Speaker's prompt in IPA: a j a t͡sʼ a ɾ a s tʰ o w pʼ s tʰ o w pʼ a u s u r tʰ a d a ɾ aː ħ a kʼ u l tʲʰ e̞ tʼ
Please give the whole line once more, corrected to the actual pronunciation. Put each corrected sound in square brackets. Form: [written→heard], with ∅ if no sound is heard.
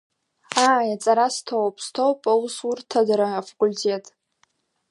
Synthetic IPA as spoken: a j a t͡sʼ a ɾ a s tʰ o w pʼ s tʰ o w pʼ a u s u r tʰ a d a ɾ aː [ħ→f] a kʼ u l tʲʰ e̞ tʼ